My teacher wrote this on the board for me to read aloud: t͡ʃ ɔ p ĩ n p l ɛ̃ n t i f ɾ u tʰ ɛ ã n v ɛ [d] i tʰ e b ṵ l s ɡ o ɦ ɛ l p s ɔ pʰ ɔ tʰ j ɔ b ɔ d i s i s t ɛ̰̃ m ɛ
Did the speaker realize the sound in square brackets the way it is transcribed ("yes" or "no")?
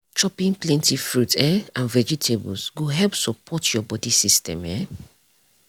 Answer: no